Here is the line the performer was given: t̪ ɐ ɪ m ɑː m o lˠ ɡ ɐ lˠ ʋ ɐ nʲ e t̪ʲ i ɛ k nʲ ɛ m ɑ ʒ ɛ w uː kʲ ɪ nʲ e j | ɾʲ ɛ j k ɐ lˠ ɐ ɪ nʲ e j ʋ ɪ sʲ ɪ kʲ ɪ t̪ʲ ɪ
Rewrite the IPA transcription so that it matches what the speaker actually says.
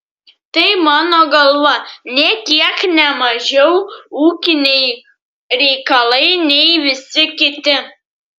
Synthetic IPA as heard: t̪ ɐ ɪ m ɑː n o ɡ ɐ lˠ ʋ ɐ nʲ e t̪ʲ i ɛ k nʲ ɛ m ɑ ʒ ɛ w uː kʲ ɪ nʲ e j | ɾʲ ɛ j k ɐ lˠ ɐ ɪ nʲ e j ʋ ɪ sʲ ɪ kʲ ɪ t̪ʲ ɪ

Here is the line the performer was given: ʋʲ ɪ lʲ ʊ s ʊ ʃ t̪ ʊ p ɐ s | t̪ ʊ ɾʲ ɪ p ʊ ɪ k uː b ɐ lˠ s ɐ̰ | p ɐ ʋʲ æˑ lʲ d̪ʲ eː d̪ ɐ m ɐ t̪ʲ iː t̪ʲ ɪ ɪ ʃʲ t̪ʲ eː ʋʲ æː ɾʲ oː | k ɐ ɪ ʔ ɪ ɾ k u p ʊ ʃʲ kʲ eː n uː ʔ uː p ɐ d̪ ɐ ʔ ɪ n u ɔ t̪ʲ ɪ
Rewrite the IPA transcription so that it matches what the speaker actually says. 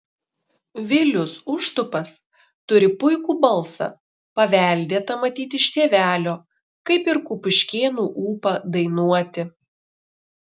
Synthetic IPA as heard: ʋʲ ɪ lʲ ʊ s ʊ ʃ t̪ ʊ p ɐ s | t̪ ʊ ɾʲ ɪ p ʊ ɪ k uː b ɐ lˠ s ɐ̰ | p ɐ ʋʲ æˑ lʲ d̪ʲ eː t̪ ɐ m ɐ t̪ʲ iː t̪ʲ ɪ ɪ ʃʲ t̪ʲ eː ʋʲ æː lʲ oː | k ɐ ɪ p ɪ ɾ k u p ʊ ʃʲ kʲ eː n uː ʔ uː p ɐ d̪ ɐ ɪ n u ɔ t̪ʲ ɪ

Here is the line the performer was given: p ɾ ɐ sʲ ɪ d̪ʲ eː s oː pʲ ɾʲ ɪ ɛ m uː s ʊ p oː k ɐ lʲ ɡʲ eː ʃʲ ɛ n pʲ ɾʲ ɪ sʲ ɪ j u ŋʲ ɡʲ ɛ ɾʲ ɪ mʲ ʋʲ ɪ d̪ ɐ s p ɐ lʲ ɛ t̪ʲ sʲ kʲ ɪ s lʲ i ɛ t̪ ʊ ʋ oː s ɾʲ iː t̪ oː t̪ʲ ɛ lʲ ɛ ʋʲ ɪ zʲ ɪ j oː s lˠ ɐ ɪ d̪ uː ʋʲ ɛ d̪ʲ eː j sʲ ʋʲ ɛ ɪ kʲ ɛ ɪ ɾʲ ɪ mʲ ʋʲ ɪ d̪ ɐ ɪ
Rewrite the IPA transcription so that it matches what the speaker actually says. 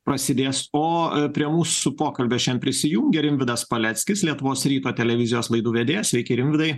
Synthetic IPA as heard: p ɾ ɐ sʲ ɪ d̪ʲ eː s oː pʲ ɾʲ i ɛ m uː s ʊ p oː k ɐ lʲ bʲ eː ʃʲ ɛ n pʲ ɾʲ ɪ sʲ ɪ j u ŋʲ ɡʲ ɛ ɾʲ ɪ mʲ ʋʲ ɪ d̪ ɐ s p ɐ lʲ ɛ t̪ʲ sʲ kʲ ɪ s lʲ i ɛ t̪ ʊ ʋ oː s ɾʲ iː t̪ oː t̪ʲ ɛ lʲ ɛ ʋʲ ɪ zʲ ɪ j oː s lˠ ɐ ɪ d̪ uː ʋʲ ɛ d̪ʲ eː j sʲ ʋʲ ɛ ɪ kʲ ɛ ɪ ɾʲ ɪ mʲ ʋʲ ɪ d̪ ɐ ɪ

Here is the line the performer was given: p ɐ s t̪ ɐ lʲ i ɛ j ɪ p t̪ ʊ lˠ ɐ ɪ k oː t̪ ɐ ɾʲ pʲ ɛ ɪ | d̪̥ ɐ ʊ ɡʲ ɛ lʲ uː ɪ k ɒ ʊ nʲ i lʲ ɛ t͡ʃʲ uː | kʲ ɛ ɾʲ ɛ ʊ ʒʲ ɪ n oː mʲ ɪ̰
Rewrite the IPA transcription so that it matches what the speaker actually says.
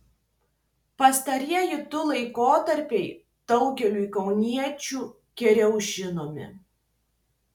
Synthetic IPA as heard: p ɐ s t̪ ɐ ɾʲ i ɛ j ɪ t̪ ʊ lˠ ɐ ɪ k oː t̪ ɐ ɾʲ pʲ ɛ ɪ | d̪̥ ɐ ʊ ɡʲ ɛ lʲ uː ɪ k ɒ ʊ nʲ i ɛ t͡ʃʲ uː | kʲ ɛ ɾʲ ɛ ʊ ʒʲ ɪ n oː mʲ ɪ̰

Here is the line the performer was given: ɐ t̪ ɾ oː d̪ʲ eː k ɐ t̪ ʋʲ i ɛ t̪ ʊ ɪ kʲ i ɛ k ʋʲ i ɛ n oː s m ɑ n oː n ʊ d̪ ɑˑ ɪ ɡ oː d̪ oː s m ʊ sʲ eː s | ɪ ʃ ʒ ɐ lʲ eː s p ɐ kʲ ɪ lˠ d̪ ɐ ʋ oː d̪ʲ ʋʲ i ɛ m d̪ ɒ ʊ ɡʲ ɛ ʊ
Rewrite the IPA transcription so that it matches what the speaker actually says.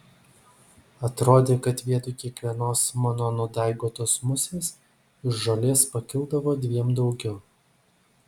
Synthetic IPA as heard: ɐ t̪ ɾ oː d̪ʲ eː k ɐ t̪ ʋʲ i ɛ t̪ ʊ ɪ kʲ i ɛ k ʋʲ i ɛ n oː s m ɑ n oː n ʊ d̪ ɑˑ ɪ ɡ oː t̪ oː s m ʊ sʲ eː s | ɪ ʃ ʒ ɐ lʲ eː s p ɐ kʲ ɪ lˠ d̪ ɐ ʋ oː d̪ʲ ʋʲ i ɛ m d̪ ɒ ʊ ɡʲ ɛ ʊ

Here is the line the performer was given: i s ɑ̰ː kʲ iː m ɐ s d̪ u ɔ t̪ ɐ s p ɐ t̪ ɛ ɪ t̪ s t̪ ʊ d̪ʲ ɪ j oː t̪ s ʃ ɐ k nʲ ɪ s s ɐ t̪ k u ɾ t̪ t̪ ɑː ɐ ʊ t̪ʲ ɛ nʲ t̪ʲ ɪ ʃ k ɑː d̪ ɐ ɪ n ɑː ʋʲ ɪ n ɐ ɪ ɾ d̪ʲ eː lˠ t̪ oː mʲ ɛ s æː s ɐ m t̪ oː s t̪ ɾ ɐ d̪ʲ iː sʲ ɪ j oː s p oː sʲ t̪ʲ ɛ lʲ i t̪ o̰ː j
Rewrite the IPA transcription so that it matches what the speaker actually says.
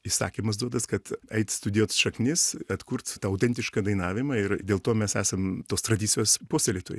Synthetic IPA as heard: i s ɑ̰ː kʲ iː m ɐ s d̪ u ɔ d̪ ɐ s k ɐ t̪ ɛ ɪ t̪ s t̪ ʊ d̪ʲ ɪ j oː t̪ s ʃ ɐ k nʲ ɪ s s ɐ t̪ k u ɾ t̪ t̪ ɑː ɐ ʊ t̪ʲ ɛ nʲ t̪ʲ ɪ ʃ k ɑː d̪ ɐ ɪ n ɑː ʋʲ ɪ m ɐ ɪ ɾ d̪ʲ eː lˠ t̪ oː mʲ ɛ s æː s ɐ m t̪ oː s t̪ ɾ ɐ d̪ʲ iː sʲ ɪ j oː s p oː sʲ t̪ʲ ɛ lʲ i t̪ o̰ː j

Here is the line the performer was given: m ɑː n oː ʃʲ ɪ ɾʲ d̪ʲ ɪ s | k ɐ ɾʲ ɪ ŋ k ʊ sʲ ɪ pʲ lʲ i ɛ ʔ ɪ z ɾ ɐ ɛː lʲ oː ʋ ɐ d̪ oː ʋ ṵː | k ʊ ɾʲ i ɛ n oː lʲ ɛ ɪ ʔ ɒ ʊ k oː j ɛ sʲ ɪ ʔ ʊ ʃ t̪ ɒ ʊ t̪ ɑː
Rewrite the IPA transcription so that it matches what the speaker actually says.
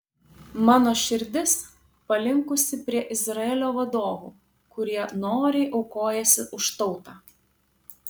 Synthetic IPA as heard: m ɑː n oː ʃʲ ɪ ɾʲ d̪ʲ ɪ s | p ɐ lʲ ɪ ŋ k ʊ sʲ ɪ pʲ ɾʲ i ɛ ʔ ɪ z ɾ ɐ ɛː lʲ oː ʋ ɐ d̪ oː ʋ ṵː | k ʊ ɾʲ i ɛ n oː ɾʲ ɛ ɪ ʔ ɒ ʊ k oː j ɛ sʲ ɪ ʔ ʊ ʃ t̪ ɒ ʊ t̪ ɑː

